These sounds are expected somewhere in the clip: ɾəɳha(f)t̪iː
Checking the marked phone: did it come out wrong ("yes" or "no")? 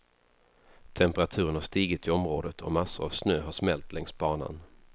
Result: yes